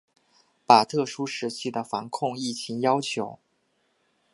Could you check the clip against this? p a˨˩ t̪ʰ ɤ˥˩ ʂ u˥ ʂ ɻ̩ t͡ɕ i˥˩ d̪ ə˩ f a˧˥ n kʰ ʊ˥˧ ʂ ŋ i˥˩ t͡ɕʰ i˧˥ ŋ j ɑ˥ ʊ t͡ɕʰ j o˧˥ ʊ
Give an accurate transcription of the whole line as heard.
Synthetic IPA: p a˨˩ t̪ʰ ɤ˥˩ ʂ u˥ ʂ ɻ̩ t͡ɕʰ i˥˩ d̪ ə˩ f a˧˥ n kʰ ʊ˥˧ ŋ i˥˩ t͡ɕʰ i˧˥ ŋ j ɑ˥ ʊ t͡ɕʰ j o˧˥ ʊ

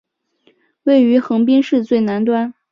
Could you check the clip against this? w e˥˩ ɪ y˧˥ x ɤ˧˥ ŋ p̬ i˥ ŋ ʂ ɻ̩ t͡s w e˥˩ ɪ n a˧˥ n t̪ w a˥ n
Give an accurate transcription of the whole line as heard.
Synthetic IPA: w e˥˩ ɪ y˧˥ x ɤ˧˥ ŋ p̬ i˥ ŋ ʂ ɻ̩ t͡s w e˥˩ ɪ n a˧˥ n t̪ w a˥ n

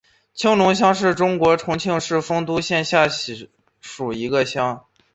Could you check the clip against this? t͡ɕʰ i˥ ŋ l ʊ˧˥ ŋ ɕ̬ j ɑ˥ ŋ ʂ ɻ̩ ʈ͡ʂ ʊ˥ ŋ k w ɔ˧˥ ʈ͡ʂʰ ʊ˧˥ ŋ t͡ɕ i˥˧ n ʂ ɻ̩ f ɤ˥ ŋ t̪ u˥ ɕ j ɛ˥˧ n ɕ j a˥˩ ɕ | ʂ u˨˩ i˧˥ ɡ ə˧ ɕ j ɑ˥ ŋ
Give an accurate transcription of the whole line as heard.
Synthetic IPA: t͡ɕʰ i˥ ŋ l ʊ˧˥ ŋ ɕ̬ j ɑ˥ ŋ ʂ ɻ̩ ʈ͡ʂ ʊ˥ ŋ k w ɔ˧˥ ʈ͡ʂʰ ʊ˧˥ ŋ t͡ɕʰ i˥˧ ŋ ʂ ɻ̩ f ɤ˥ ŋ t̪ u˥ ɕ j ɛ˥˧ n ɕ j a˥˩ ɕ | ʂ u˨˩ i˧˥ ɡ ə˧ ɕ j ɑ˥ ŋ

